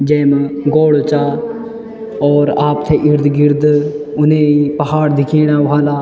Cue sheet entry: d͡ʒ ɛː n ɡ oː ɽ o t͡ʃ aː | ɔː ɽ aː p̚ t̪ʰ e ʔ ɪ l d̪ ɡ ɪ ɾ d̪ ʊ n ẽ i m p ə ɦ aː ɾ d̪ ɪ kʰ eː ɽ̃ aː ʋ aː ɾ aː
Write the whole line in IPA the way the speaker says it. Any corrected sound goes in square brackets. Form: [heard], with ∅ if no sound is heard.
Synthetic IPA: d͡ʒ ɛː [m] ɡ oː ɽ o t͡ʃ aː | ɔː [ɾ] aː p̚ t̪ʰ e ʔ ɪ [ɾ] d̪ ɡ ɪ ɾ d̪ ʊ n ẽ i [∅] p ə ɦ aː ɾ d̪ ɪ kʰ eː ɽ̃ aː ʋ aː [l] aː